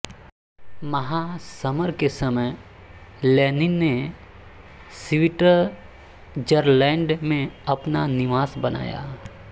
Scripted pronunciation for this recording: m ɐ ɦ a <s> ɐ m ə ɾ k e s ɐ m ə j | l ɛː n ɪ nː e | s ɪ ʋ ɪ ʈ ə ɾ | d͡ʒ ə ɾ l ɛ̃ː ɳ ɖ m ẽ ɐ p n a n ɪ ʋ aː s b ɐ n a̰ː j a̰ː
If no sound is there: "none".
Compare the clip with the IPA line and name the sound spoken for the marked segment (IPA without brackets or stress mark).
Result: s